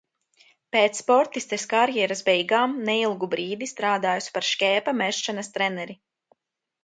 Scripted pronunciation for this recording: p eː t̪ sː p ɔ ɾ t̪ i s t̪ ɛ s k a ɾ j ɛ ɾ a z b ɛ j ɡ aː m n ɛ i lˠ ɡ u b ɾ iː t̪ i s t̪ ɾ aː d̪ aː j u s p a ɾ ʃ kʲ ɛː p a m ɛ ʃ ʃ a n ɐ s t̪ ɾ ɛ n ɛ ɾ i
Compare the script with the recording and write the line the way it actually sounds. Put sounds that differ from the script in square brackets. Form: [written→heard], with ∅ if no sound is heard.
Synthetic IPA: p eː t̪ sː p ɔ ɾ t̪ i s t̪ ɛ s k a ɾ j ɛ ɾ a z b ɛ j ɡ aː m n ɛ i lˠ ɡ u b ɾ iː [t̪→d̪] i s t̪ ɾ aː d̪ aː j u s p a ɾ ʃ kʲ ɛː p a m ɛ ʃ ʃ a n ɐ s t̪ ɾ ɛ n ɛ ɾ i